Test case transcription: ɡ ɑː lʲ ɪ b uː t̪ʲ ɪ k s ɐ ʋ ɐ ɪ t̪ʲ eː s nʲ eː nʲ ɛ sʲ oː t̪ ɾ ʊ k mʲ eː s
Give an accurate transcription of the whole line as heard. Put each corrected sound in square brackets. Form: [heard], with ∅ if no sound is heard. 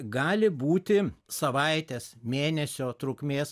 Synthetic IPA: ɡ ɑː lʲ ɪ b uː t̪ʲ ɪ [∅] s ɐ ʋ ɐ ɪ t̪ʲ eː s [mʲ] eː nʲ ɛ sʲ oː t̪ ɾ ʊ k mʲ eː s

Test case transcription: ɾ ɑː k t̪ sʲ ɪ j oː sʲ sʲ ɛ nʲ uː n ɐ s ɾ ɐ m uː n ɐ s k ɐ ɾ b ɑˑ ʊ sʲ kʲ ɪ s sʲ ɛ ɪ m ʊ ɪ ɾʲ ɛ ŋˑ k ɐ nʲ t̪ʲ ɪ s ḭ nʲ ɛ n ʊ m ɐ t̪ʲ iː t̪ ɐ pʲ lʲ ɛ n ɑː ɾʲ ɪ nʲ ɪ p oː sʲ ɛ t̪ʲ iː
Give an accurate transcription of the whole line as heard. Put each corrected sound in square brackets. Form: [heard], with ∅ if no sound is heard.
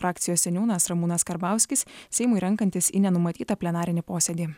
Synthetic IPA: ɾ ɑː k t̪ sʲ ɪ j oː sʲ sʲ ɛ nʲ uː n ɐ s ɾ ɐ m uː n ɐ s k ɐ ɾ b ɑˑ ʊ sʲ kʲ ɪ s sʲ ɛ ɪ m ʊ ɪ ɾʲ ɛ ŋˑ k ɐ nʲ t̪ʲ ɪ s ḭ nʲ ɛ n ʊ m ɐ t̪ʲ iː t̪ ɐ pʲ lʲ ɛ n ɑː ɾʲ ɪ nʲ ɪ p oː sʲ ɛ [d̪ʲ] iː

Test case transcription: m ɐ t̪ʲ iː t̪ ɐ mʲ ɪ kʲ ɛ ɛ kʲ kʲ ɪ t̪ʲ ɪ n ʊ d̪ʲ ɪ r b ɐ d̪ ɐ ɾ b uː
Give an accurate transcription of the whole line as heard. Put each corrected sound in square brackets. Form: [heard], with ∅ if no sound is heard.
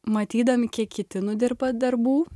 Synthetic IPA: m ɐ t̪ʲ iː [d̪] ɐ mʲ ɪ kʲ [i] ɛ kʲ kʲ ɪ t̪ʲ ɪ n ʊ d̪ʲ ɪ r b ɐ d̪ ɐ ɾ b uː

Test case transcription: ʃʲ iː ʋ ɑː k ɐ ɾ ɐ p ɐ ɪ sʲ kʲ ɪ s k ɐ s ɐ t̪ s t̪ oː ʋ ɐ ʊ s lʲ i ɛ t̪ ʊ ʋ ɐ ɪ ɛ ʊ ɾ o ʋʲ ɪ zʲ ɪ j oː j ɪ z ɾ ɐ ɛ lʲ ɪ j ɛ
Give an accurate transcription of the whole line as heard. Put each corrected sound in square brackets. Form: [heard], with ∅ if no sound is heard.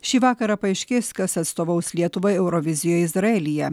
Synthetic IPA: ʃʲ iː ʋ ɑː k ɐ ɾ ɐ p ɐ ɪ [ʃʲ] kʲ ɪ s k ɐ s ɐ t̪ s t̪ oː ʋ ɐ ʊ s lʲ i ɛ t̪ ʊ ʋ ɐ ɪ ɛ ʊ ɾ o ʋʲ ɪ zʲ ɪ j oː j ɪ z ɾ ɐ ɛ lʲ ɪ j ɛ

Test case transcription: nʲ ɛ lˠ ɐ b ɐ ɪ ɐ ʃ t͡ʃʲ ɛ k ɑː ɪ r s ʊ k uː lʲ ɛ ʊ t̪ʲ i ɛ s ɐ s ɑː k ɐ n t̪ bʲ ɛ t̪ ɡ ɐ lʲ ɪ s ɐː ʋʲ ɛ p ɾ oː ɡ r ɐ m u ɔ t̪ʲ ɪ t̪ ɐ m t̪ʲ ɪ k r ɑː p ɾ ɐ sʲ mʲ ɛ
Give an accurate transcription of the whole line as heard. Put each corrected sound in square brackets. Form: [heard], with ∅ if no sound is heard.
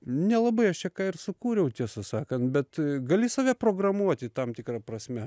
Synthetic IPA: nʲ ɛ lˠ ɐ b ɐ ɪ ɐ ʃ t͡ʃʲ ɛ k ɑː ɪ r s ʊ k uː [ɾʲ] ɛ ʊ t̪ʲ i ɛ s ɐ s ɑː k ɐ n t̪ bʲ ɛ t̪ ɡ ɐ lʲ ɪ s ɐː ʋʲ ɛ p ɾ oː ɡ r ɐ m u ɔ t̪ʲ ɪ t̪ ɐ m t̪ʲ ɪ k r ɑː p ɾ ɐ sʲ mʲ ɛ

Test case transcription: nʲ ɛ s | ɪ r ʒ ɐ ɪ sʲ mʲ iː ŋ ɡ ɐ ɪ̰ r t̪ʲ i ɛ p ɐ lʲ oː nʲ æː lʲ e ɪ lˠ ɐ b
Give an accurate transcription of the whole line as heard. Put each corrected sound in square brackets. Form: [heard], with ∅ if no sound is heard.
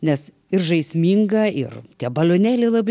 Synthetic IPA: nʲ ɛ s | ɪ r ʒ ɐ ɪ sʲ mʲ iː ŋ ɡ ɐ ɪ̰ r t̪ʲ i ɛ [b] ɐ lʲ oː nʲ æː lʲ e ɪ lˠ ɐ b

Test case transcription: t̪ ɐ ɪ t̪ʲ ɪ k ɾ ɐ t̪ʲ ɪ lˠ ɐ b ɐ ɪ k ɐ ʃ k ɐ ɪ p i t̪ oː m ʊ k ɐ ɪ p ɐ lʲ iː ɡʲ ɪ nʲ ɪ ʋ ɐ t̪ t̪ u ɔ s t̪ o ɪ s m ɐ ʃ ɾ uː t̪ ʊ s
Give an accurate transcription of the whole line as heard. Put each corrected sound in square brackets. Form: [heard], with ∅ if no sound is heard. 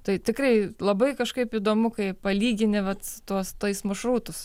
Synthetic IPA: t̪ ɐ ɪ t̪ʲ ɪ k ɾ ɐ [∅] ɪ lˠ ɐ b ɐ ɪ k ɐ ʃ k ɐ ɪ p i [d̪] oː m ʊ k ɐ ɪ p ɐ lʲ iː ɡʲ ɪ nʲ ɪ ʋ ɐ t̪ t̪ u ɔ s t̪ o ɪ s m ɐ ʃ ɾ uː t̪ ʊ s

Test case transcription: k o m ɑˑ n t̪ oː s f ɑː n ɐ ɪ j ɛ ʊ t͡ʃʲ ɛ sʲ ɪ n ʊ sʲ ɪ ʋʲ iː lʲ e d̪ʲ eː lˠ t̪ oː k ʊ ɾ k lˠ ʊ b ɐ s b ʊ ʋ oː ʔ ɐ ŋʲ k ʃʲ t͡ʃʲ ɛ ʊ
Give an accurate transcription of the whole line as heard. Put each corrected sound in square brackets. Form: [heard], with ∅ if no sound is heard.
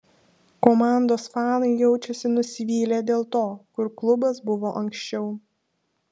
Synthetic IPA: k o m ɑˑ n [d̪] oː s f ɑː n ɐ ɪ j ɛ ʊ t͡ʃʲ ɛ sʲ ɪ n ʊ sʲ ɪ ʋʲ iː lʲ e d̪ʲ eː lˠ t̪ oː k ʊ ɾ k lˠ ʊ b ɐ s b ʊ ʋ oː ʔ ɐ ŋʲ k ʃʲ t͡ʃʲ ɛ ʊ

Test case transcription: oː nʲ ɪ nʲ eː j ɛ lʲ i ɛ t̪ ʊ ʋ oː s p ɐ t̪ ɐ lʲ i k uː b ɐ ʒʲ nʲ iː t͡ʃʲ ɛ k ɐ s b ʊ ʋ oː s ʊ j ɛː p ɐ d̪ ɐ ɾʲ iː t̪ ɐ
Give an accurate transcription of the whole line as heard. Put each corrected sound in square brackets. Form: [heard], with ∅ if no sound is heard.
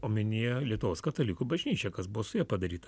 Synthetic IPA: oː [mʲ] ɪ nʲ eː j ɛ lʲ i ɛ t̪ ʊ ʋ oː s [k] ɐ t̪ ɐ lʲ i k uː b ɐ ʒʲ nʲ iː t͡ʃʲ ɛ k ɐ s b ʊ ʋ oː s ʊ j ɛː p ɐ d̪ ɐ ɾʲ iː t̪ ɐ

